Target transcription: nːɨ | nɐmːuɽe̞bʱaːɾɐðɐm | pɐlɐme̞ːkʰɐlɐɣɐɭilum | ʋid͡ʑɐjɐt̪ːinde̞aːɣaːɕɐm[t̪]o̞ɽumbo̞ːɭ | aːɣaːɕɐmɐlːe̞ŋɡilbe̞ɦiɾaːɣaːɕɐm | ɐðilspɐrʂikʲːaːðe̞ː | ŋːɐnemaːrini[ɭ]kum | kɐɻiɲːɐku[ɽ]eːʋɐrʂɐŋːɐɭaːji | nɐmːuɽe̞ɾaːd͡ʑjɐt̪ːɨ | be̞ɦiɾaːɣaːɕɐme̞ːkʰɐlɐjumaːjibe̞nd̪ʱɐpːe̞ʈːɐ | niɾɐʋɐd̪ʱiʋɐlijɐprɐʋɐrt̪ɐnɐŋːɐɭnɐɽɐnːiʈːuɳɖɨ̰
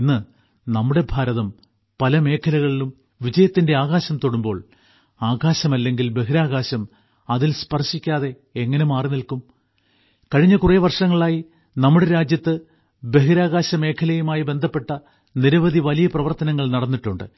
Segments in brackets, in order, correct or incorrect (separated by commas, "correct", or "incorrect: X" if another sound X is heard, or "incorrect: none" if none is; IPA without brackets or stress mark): correct, incorrect: l, incorrect: r